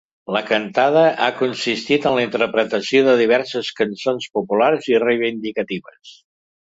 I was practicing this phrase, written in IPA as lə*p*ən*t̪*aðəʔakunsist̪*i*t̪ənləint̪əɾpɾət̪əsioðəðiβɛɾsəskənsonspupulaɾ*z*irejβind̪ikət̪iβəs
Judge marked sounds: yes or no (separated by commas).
no, yes, yes, yes